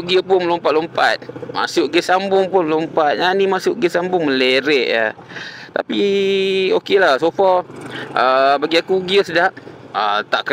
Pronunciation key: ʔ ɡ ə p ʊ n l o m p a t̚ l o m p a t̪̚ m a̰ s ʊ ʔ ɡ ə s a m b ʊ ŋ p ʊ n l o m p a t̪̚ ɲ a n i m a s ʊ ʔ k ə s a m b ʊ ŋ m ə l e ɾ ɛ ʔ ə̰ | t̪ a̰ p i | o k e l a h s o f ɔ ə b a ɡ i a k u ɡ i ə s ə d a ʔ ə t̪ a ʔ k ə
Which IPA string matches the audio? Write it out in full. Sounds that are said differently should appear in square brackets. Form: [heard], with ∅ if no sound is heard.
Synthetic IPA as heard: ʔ ɡ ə p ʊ n l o m p a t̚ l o m p a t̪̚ m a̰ s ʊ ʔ ɡ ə s a m b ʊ ŋ p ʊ n l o m p a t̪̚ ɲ a n i m a s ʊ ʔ [ɡ] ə s a m b ʊ ŋ m ə l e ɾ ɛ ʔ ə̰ | t̪ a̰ p i | o k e l a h s o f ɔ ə b a ɡ i a k u ɡ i ə s ə d a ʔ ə t̪ a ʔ k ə